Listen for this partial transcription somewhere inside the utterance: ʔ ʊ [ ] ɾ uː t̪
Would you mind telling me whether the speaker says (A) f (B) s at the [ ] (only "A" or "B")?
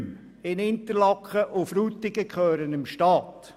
A